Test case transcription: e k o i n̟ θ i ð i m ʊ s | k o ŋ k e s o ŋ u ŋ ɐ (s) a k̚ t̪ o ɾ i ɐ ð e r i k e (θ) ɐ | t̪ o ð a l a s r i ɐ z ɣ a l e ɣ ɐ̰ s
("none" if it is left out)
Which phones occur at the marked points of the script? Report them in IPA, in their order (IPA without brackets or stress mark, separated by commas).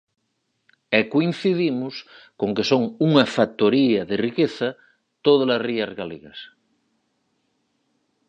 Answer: f, θ